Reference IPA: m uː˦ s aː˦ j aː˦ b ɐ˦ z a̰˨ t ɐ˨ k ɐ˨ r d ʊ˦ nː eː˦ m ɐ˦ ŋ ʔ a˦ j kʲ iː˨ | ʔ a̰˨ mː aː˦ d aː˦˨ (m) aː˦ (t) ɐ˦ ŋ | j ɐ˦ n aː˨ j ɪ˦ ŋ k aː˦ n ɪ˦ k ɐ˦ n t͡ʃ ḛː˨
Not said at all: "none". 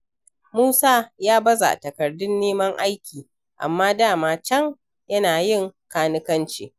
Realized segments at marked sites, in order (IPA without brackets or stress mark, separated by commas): m, t͡ʃ